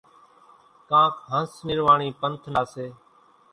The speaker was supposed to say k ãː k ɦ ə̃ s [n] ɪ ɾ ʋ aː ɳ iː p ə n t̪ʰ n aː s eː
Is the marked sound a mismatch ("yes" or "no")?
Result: no